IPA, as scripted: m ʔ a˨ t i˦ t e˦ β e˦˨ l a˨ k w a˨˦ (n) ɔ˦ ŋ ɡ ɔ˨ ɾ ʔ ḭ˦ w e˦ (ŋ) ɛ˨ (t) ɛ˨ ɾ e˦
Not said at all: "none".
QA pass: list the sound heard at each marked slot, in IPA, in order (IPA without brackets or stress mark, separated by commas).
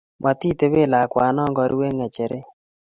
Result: n, ŋ, t͡ʃ